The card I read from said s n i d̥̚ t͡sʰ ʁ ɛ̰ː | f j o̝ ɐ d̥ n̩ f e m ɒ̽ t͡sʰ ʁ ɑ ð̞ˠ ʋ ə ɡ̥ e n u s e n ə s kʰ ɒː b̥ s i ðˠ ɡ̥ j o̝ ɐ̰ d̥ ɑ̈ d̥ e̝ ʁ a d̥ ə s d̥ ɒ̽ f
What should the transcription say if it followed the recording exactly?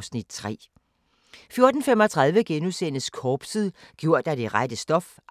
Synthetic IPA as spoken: s n i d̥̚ t͡sʰ ʁ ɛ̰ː | f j o̝ ɐ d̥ n̩ f e m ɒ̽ t͡sʰ ʁ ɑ ð̞ˠ ʋ ə ɡ̥ e n u s e n ə s kʰ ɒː b̥ s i ðˠ ɡ̥ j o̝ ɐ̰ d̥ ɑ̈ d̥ e̝ ʁ a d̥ ə s d̥ ɒ̽ f